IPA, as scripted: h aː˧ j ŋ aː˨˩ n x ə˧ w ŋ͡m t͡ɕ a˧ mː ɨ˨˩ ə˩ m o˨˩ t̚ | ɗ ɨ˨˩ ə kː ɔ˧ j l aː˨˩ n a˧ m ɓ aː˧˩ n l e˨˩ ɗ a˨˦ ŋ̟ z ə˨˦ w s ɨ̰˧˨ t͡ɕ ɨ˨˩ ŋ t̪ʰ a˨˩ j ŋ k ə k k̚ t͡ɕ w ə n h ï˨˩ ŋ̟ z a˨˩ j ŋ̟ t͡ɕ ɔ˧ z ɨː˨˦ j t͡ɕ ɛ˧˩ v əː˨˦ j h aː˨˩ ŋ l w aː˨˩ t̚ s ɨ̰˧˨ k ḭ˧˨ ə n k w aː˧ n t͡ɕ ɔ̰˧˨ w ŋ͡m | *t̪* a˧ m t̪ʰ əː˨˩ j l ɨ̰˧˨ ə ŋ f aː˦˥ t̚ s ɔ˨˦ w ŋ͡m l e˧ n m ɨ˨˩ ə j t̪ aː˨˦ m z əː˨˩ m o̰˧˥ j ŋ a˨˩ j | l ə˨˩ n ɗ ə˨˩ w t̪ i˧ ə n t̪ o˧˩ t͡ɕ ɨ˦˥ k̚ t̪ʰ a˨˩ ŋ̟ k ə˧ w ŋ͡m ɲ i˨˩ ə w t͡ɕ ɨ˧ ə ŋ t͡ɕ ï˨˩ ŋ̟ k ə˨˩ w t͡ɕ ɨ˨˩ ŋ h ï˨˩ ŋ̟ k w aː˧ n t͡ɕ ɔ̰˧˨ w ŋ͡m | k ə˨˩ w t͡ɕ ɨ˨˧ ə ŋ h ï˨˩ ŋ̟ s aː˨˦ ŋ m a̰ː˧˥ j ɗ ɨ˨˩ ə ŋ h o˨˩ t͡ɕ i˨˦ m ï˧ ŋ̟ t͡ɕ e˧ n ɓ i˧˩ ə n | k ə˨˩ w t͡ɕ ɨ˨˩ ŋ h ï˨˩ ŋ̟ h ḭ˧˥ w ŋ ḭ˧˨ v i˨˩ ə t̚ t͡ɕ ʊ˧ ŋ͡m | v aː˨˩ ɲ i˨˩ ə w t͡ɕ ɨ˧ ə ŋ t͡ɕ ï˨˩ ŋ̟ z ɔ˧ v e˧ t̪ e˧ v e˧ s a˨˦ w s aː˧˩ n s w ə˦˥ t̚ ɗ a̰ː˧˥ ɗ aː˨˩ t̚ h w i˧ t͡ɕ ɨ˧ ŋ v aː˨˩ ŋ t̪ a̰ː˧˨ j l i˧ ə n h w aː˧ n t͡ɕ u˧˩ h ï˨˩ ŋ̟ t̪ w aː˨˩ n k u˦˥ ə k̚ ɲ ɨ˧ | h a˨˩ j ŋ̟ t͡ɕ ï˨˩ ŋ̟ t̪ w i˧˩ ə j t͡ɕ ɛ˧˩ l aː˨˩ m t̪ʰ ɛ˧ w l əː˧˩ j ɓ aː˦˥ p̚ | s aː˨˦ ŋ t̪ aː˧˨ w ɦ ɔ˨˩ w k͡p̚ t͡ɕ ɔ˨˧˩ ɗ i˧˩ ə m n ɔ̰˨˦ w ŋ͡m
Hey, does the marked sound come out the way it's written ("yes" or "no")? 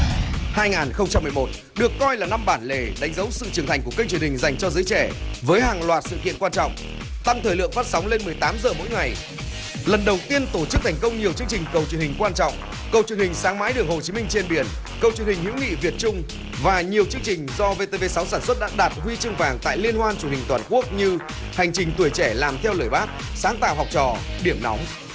yes